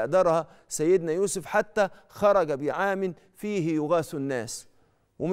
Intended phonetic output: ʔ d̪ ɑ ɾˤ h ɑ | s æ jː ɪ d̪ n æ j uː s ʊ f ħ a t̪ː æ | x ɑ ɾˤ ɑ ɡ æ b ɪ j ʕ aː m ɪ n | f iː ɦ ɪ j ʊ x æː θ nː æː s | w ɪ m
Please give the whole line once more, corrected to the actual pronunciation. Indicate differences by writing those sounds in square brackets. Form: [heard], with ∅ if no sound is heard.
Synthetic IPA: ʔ d̪ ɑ ɾˤ h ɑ | s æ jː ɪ d̪ n æ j uː s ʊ f ħ a t̪ː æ | x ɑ ɾˤ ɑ ɡ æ b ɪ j ʕ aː m ɪ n | f iː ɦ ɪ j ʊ [ɣ] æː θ nː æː s | w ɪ m